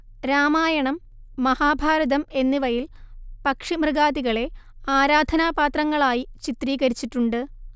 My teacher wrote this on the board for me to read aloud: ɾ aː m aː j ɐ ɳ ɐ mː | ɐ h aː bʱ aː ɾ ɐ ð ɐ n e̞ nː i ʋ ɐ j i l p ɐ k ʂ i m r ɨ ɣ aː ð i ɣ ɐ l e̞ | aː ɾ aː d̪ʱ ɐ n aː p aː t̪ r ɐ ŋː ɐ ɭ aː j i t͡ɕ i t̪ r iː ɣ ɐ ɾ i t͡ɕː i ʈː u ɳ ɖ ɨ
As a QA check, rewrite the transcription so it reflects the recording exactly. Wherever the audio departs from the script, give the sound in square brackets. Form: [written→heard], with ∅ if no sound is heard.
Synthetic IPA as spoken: ɾ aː m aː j ɐ ɳ ɐ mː | ɐ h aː bʱ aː ɾ ɐ ð ɐ [n→m] e̞ nː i ʋ ɐ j i l p ɐ k ʂ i m r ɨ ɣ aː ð i ɣ ɐ [l→ɭ] e̞ | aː ɾ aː d̪ʱ ɐ n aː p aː t̪ r ɐ ŋː ɐ ɭ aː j i t͡ɕ i t̪ r iː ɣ ɐ ɾ i t͡ɕː i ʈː u ɳ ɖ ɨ

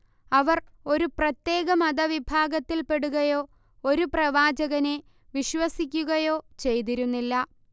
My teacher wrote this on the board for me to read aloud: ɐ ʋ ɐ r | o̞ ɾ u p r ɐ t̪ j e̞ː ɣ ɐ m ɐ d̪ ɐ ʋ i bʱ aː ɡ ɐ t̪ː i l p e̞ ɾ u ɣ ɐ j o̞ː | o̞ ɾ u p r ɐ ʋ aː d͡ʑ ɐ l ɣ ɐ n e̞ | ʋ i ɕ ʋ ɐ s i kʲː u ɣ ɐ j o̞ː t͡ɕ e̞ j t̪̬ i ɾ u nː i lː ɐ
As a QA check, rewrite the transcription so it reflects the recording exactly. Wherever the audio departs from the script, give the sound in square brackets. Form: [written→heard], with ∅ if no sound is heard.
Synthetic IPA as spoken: ɐ ʋ ɐ r | o̞ ɾ u p r ɐ t̪ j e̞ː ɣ ɐ m ɐ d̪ ɐ ʋ i bʱ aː ɡ ɐ t̪ː i l p e̞ [ɾ→ɽ] u ɣ ɐ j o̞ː | o̞ ɾ u p r ɐ ʋ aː d͡ʑ ɐ [l→∅] ɣ ɐ n e̞ | ʋ i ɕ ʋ ɐ s i kʲː u ɣ ɐ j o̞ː t͡ɕ e̞ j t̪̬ i ɾ u nː i lː ɐ

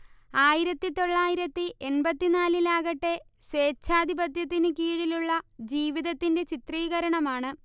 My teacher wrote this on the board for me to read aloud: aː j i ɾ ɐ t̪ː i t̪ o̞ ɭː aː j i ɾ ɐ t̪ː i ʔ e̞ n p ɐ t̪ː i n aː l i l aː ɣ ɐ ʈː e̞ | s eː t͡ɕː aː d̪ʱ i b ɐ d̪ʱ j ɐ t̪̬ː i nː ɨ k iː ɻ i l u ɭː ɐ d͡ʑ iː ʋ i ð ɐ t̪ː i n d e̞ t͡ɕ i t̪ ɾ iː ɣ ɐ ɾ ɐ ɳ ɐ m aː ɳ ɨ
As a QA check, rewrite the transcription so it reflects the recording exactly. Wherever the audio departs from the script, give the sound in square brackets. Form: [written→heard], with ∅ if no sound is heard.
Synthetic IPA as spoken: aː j i ɾ ɐ t̪ː i t̪ o̞ ɭː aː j i ɾ ɐ t̪ː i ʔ e̞ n [p→b] ɐ t̪ː i n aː l i l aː ɣ ɐ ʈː e̞ | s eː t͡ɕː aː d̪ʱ i b ɐ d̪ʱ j ɐ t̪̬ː i [nː→n] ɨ k iː ɻ i l u ɭː ɐ d͡ʑ iː ʋ i ð ɐ t̪ː i n d e̞ t͡ɕ i t̪ [ɾ→r] iː ɣ ɐ ɾ ɐ ɳ ɐ m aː ɳ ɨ

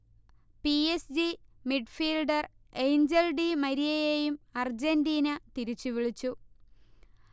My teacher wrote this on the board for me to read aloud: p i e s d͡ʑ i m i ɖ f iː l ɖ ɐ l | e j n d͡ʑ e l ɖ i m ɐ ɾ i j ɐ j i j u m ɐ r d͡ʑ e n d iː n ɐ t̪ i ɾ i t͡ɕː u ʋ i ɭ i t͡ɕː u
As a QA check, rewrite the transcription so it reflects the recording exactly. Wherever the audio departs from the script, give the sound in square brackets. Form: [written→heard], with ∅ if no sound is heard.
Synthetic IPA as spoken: p i e s d͡ʑ i m i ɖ f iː l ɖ ɐ [l→r] | e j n d͡ʑ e l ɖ i m ɐ ɾ i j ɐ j [i→e] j u m ɐ r d͡ʑ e n d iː n ɐ t̪ i ɾ i t͡ɕː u ʋ i ɭ i t͡ɕː u

